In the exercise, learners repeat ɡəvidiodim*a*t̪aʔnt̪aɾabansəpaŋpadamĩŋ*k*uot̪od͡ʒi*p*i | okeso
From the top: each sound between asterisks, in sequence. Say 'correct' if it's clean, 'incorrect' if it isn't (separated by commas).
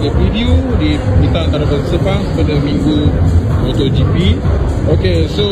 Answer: incorrect, incorrect, correct